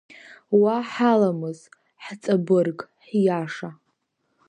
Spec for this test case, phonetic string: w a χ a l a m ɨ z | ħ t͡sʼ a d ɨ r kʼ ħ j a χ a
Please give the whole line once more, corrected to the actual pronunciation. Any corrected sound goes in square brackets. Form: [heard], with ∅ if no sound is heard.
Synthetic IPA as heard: w a [ħ] a l a m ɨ z | ħ t͡sʼ a [b] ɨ r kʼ ħ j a [ʂ] a